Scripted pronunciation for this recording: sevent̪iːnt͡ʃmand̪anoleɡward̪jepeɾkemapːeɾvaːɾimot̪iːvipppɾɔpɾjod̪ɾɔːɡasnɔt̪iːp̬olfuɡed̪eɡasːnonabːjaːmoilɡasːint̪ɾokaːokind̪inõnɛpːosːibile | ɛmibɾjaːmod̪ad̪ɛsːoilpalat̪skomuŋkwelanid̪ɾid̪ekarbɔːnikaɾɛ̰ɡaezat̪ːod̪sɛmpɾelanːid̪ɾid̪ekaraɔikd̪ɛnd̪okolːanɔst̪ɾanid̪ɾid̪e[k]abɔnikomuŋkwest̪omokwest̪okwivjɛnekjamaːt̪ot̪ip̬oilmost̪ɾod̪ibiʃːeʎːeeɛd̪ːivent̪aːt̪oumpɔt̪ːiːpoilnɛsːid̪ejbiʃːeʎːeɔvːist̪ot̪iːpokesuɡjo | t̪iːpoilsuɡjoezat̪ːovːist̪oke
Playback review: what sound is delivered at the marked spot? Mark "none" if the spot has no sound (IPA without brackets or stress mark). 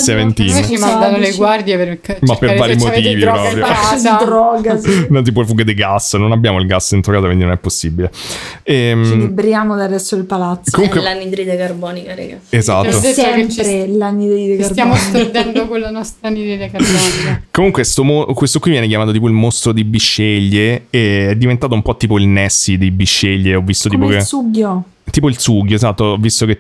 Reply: k